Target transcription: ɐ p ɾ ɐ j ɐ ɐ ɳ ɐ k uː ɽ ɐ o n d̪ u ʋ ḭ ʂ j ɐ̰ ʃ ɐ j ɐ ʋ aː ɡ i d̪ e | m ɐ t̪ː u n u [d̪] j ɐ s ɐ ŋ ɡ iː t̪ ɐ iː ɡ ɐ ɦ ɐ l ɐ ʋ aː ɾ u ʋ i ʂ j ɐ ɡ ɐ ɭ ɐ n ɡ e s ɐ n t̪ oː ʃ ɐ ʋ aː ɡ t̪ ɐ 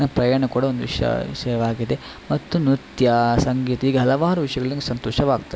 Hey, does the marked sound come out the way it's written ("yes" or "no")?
no